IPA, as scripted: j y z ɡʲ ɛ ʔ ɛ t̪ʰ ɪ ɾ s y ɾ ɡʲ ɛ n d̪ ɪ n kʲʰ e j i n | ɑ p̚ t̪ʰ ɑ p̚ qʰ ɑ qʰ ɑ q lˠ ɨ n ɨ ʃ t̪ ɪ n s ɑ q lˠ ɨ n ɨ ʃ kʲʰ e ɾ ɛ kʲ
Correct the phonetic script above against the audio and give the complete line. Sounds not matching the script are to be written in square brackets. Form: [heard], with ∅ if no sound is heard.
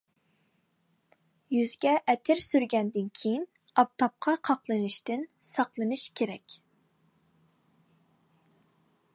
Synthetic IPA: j y z ɡʲ ɛ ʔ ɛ t̪ʰ ɪ ɾ s y ɾ ɡʲ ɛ n d̪ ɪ n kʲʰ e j i n | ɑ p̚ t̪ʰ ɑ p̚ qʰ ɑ qʰ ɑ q lˠ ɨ n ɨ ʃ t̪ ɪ n s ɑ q lˠ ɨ n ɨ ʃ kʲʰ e ɾ ɛ kʲ